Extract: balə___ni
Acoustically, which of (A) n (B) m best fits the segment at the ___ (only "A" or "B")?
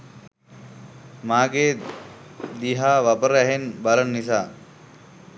A